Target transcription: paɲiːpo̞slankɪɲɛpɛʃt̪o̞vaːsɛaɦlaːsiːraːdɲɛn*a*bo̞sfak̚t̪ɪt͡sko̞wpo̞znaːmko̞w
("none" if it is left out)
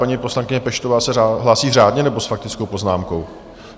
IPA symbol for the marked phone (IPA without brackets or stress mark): ɛ